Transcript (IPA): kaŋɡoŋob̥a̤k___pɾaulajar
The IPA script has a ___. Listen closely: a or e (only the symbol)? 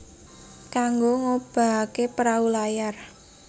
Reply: e